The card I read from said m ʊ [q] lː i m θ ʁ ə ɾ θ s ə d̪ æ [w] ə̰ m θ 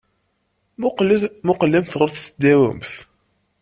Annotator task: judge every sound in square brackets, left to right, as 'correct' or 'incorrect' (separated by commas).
correct, correct